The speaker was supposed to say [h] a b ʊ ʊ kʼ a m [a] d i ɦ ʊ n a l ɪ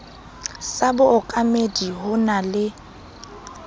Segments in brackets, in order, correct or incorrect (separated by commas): incorrect, incorrect